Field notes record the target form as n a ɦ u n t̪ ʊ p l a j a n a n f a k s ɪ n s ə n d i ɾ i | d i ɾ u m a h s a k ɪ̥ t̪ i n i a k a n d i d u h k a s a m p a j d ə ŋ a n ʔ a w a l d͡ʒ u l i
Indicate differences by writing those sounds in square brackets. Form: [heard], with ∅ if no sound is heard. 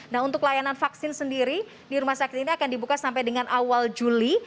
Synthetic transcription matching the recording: n a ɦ u n t̪ ʊ [k] l a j a n a n f a k s ɪ n s ə n d i ɾ i | d i ɾ u m a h s a k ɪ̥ t̪ i n i a k a n d i [b] u [∅] k a s a m p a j d ə ŋ a n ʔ a w a l d͡ʒ u l i